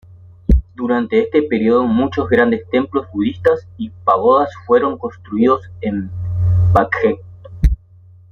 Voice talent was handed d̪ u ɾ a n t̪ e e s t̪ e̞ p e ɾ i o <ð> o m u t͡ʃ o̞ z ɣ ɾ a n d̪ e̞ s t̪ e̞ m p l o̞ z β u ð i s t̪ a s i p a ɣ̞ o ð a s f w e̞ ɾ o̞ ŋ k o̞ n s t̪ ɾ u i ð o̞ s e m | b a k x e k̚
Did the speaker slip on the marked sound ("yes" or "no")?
no